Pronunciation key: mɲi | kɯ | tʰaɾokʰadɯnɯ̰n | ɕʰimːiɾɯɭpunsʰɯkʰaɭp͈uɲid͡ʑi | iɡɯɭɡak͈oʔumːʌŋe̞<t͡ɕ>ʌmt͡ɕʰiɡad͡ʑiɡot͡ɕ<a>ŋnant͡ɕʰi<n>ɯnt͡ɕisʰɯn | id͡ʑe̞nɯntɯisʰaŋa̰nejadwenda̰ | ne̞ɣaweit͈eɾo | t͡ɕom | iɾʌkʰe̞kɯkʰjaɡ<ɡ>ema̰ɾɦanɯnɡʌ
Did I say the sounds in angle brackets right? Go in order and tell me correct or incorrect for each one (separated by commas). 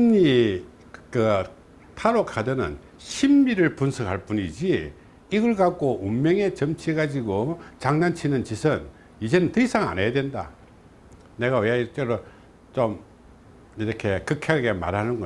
correct, correct, correct, correct